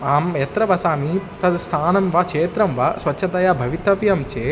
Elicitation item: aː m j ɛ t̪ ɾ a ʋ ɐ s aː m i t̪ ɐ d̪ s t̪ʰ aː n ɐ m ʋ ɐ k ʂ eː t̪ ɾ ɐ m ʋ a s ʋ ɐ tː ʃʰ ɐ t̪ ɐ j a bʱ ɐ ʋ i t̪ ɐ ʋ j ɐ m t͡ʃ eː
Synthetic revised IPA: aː m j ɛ t̪ ɾ ɐ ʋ ɐ s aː m i t̪ ɐ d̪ s t̪ʰ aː n ɐ m ʋ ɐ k ʂ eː t̪ ɾ ɐ m ʋ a s ʋ ɐ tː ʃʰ ɐ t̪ ɐ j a bʱ ɐ ʋ i t̪ ɐ ʋ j ɐ m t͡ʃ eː